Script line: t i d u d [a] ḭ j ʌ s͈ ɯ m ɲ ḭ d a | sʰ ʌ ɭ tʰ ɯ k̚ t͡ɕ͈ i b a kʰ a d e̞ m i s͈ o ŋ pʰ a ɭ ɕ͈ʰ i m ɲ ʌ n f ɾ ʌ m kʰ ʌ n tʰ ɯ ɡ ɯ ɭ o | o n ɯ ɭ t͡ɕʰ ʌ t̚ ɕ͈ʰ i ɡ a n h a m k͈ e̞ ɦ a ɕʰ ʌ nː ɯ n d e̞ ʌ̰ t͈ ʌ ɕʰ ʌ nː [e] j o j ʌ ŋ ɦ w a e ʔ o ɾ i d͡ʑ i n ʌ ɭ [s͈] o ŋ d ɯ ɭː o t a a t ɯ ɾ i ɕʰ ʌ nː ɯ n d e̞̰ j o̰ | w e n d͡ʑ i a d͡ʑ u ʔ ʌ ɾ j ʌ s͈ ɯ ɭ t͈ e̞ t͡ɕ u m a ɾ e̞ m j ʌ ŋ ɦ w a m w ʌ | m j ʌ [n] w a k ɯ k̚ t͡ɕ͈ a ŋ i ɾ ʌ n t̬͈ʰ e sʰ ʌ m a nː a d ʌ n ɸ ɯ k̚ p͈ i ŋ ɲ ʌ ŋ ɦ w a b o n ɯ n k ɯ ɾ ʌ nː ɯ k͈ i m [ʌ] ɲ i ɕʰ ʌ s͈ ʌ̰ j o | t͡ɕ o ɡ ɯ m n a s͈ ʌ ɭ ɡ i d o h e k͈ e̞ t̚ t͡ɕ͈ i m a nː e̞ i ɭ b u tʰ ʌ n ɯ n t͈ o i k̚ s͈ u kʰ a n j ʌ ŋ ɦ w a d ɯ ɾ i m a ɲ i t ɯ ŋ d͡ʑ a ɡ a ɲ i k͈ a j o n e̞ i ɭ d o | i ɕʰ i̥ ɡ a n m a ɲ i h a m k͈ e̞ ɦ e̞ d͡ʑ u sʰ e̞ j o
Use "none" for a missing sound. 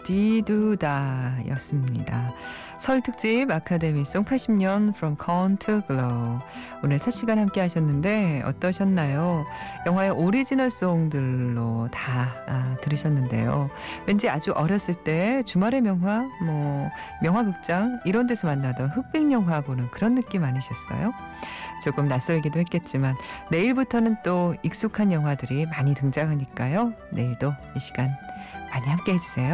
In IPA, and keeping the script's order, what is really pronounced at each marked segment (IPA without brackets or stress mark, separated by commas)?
a, a, s͈, ŋ, a